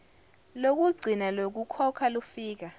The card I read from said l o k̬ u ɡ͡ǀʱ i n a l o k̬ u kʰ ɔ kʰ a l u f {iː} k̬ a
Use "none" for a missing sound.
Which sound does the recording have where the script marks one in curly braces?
iː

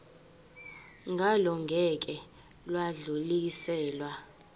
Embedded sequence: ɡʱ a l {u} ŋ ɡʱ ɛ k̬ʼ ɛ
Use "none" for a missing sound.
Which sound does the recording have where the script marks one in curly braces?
ɔ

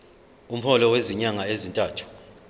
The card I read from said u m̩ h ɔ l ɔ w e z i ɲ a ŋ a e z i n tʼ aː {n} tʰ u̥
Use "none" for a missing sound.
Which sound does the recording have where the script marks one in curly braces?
none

